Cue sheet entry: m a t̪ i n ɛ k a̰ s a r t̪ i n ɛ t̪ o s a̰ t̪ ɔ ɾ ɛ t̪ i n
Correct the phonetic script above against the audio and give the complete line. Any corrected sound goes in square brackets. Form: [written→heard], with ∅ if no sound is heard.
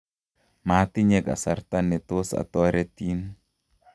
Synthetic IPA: m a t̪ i [n→ɲ] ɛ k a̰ s a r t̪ [i→a] n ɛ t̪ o s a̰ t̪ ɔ ɾ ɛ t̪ i n

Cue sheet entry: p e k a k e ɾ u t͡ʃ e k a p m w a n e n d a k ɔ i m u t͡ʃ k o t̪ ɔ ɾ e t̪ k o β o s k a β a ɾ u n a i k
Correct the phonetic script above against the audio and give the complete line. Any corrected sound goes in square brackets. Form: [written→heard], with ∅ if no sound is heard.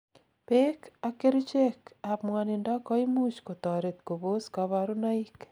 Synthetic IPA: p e k a k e ɾ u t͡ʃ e k a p m w a n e n d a k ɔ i m u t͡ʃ k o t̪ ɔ ɾ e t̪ k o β o s k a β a ɾ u n a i k

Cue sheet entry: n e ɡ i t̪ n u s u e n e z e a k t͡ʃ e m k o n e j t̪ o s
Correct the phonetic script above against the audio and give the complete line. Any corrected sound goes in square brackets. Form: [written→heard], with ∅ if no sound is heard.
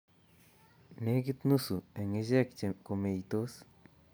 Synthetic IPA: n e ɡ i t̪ n u s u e [n→ŋ] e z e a k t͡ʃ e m k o [n→m] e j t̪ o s

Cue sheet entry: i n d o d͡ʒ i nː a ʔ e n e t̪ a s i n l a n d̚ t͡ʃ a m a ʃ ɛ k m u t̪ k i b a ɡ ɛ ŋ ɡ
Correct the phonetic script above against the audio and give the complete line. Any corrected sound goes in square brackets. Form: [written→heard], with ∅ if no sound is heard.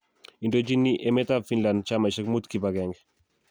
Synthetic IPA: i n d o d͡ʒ i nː [a→i] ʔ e [n→m] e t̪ a [s→f] i n l a n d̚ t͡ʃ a m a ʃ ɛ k m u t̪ k i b a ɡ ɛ ŋ ɡ

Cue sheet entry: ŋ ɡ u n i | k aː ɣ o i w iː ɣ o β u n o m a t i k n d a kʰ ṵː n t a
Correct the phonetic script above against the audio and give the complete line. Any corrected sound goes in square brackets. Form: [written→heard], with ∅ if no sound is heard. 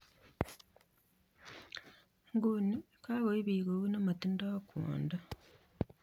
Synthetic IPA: ŋ ɡ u n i | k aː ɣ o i [w→β] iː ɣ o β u n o m a t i [k→∅] n d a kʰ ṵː n [t→d] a

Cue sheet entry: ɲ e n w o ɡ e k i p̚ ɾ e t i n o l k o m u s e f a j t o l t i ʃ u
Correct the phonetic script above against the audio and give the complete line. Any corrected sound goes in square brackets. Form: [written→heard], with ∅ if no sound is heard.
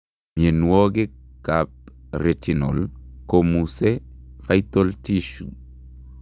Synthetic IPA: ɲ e n w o ɡ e k [i→a] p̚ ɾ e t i n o l k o m u s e f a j t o l t i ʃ u

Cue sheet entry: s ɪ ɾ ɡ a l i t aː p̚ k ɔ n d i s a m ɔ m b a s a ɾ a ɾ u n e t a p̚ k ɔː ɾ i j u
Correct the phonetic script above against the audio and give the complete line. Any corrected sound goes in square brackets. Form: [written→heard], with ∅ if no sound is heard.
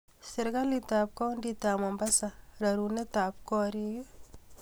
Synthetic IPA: s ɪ ɾ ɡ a l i t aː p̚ k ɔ n d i [s→t] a m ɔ m b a s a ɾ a ɾ u n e t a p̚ k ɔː ɾ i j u

